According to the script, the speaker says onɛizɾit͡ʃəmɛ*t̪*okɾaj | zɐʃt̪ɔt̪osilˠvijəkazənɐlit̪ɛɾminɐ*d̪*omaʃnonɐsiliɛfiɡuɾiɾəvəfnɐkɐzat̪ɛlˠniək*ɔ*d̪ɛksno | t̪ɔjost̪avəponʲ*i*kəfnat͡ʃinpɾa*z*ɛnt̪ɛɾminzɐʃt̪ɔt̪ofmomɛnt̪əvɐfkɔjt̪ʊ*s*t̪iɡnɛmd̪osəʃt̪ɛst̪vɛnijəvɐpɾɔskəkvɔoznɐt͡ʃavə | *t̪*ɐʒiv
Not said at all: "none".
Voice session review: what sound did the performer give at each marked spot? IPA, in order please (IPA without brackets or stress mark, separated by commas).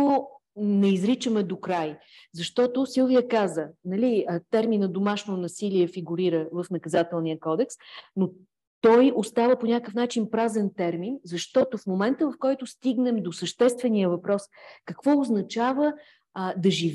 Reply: d̪, d̪, ɔ, a, z, s, d̪